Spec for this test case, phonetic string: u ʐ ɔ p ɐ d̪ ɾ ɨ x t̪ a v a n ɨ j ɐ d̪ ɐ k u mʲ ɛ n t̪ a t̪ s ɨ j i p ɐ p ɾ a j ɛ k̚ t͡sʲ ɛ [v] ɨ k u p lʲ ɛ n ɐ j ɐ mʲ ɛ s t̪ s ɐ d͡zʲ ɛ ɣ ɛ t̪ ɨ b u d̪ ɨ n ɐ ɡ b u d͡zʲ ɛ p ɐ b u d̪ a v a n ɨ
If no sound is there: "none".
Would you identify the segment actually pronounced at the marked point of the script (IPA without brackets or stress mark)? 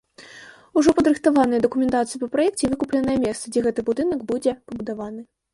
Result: v